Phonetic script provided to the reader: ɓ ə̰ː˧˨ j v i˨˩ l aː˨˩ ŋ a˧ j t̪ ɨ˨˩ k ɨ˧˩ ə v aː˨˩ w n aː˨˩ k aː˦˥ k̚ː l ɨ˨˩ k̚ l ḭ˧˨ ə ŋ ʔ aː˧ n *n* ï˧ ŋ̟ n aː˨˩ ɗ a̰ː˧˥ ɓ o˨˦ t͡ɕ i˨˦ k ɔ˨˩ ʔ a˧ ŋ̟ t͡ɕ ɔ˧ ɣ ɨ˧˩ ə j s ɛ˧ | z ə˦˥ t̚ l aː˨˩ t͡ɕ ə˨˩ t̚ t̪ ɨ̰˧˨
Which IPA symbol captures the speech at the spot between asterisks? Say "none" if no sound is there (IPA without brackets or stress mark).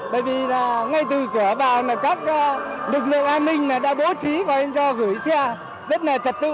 m